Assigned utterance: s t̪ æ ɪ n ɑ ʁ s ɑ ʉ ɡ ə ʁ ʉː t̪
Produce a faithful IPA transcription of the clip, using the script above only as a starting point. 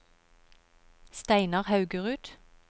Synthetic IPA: s t̪ æ ɪ n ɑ ʁ h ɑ ʉ ɡ ə ʁ ʉː t̪